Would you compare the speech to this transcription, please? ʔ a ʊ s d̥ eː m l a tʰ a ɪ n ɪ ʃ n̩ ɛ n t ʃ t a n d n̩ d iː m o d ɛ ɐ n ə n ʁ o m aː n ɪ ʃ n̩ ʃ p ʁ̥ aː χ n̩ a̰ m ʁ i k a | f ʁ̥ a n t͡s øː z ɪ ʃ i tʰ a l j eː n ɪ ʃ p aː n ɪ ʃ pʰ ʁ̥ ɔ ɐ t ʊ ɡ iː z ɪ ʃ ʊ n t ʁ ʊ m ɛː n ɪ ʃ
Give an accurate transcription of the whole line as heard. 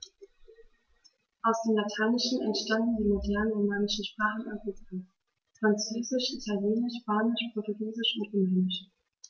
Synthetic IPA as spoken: ʔ a ʊ s d̥ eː m l a tʰ a ɪ n ɪ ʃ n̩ ɛ n t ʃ t a n d n̩ d iː m o d ɛ ɐ n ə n ʁ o m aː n ɪ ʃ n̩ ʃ p ʁ̥ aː χ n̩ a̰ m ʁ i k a | f ʁ̥ a n t͡s øː z ɪ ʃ i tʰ a l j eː n ɪ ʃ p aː n ɪ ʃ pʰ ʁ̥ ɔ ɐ t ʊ ɡ iː z ɪ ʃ ʊ n t ʁ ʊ m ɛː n ɪ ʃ